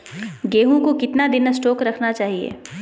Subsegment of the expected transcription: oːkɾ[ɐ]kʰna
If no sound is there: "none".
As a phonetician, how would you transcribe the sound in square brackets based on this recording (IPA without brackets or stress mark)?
ɐ